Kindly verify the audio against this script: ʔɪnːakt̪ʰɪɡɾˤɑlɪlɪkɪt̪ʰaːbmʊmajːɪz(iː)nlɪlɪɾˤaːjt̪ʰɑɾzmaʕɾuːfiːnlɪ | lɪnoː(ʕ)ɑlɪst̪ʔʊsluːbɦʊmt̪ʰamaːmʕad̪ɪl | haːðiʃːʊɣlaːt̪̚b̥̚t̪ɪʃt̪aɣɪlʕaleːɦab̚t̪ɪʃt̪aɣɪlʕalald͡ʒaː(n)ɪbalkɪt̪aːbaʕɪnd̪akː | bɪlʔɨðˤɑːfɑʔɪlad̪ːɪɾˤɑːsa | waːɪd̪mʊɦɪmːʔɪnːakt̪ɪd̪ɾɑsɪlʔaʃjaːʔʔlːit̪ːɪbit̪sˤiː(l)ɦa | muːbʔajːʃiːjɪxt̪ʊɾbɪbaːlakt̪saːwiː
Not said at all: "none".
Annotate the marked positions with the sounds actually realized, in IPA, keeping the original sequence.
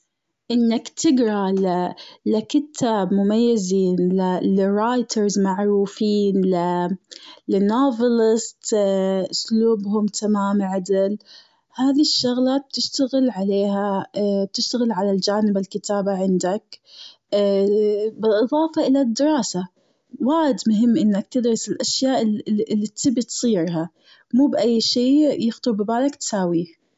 iː, v, n, ɾ

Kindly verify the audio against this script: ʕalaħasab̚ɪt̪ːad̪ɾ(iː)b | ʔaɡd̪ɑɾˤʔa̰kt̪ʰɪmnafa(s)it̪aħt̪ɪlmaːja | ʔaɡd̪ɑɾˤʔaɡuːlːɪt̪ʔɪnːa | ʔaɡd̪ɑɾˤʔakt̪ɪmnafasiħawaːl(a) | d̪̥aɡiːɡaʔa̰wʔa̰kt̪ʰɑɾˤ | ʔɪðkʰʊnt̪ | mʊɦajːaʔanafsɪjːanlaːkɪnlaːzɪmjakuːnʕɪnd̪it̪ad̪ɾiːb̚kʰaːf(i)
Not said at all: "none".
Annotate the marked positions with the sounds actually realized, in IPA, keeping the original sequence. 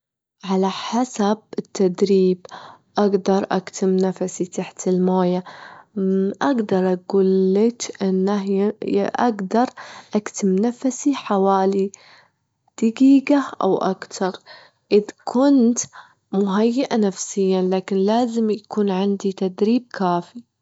iː, s, i, i

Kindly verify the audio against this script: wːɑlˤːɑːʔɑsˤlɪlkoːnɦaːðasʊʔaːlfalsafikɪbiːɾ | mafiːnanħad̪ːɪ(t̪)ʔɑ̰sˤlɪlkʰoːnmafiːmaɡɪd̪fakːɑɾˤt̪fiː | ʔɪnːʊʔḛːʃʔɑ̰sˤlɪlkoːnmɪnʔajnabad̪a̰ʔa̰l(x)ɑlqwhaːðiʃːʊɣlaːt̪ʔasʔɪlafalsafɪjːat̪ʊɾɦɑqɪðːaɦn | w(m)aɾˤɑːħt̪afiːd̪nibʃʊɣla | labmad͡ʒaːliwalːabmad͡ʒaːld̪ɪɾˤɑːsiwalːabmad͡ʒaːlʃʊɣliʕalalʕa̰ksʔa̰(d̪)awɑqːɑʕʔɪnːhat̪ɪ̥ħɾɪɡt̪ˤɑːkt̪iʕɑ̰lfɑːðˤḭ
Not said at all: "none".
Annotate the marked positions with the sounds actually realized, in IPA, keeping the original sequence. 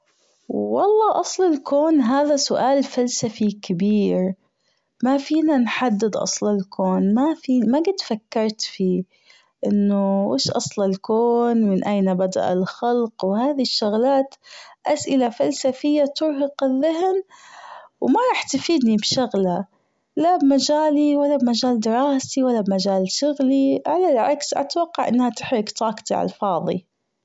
d̪, x, m, t̪

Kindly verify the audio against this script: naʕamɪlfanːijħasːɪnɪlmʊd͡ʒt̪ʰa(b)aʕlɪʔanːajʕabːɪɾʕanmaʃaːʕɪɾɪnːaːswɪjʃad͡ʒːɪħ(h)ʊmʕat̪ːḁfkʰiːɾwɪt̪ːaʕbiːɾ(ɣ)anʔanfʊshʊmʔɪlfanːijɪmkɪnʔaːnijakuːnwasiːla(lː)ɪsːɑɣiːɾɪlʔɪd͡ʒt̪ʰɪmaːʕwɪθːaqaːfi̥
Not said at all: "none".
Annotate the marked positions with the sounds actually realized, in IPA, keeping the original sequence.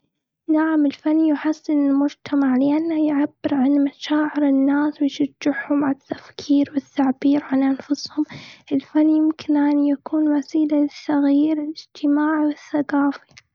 m, h, ʕ, l

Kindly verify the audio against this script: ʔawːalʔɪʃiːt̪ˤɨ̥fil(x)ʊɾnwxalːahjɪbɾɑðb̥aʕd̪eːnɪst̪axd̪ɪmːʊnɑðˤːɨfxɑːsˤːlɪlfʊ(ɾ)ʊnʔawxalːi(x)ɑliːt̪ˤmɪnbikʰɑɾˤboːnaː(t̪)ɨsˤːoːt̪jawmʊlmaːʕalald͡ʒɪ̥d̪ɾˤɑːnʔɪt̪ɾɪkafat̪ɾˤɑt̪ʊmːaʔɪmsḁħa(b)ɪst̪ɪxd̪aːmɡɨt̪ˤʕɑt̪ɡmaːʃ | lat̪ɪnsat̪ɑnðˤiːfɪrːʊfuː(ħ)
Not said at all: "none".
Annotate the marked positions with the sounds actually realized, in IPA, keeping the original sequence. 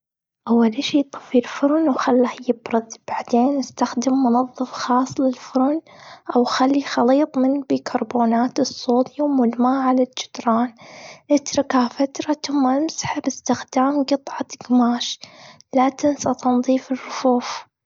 f, ɾ, x, t̪, b, f

